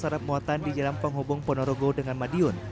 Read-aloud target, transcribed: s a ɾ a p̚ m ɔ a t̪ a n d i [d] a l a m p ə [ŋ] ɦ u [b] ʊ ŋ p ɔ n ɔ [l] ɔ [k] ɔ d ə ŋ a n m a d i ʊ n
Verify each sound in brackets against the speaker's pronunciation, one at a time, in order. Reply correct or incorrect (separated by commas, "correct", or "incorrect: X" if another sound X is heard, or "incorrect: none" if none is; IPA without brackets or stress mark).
incorrect: d͡ʒ, correct, correct, incorrect: ɾ, incorrect: ɡ